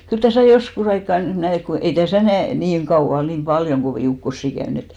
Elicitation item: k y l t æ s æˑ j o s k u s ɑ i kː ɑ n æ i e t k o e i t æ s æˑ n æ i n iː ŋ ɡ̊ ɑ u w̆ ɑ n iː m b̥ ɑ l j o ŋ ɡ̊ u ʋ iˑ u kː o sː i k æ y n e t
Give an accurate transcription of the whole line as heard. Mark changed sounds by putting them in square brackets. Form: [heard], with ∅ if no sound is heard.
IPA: k y l t æ s æˑ j o s k u s ɑ i kː ɑ n æ i e t k o e i t æ s æˑ n æ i n iː ŋ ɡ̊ ɑ u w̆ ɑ n iː m b̥ ɑ l j o ŋ ɡ̊ [o] ʋ iˑ u kː o sː i k æ y n e t